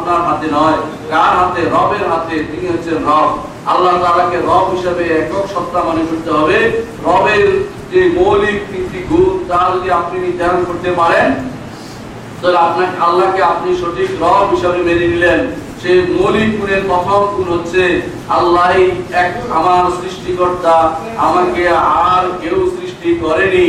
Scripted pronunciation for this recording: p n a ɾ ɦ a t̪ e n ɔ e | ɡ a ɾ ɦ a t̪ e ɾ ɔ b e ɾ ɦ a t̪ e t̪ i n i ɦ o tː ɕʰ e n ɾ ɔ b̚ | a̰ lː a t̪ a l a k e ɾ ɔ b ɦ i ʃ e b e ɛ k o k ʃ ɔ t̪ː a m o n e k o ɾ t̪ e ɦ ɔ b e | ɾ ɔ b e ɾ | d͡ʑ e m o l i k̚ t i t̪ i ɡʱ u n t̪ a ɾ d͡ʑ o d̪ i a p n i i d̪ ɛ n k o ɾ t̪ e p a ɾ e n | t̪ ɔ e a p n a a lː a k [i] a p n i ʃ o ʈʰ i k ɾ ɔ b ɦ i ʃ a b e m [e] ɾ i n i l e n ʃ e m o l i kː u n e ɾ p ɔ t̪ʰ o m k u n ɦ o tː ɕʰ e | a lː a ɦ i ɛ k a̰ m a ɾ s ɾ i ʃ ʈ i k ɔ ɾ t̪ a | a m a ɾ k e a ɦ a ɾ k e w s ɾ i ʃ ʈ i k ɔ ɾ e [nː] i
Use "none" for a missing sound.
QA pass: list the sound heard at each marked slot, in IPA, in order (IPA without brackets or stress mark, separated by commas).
e, e, n